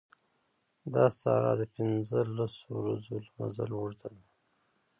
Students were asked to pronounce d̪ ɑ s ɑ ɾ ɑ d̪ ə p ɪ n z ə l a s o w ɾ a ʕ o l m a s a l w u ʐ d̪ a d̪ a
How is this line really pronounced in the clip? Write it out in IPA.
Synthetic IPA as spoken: d̪ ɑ s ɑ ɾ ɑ d̪ ə p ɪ n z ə l a s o w ɾ a z o l m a z a l w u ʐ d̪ a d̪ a